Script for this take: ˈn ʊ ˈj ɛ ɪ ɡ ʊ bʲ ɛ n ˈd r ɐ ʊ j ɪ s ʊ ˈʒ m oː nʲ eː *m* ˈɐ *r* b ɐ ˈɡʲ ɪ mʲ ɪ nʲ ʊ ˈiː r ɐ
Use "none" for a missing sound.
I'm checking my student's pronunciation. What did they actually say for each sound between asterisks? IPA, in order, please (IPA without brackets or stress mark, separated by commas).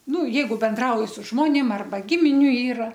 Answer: m, r